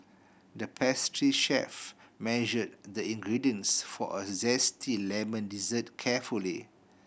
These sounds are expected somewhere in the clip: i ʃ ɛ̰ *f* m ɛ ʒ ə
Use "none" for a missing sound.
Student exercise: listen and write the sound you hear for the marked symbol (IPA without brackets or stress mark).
f